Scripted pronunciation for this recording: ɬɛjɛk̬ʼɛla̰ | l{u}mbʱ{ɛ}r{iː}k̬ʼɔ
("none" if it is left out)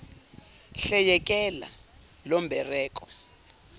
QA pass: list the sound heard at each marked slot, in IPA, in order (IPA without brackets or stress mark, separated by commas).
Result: ɔ, ɛ, ɛː